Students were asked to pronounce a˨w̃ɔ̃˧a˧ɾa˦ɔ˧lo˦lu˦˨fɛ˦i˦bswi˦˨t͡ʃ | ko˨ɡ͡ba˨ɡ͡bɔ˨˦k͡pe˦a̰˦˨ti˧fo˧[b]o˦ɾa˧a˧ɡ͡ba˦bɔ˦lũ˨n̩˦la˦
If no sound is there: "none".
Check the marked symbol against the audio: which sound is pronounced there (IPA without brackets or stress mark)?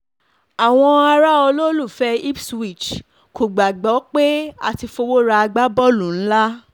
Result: w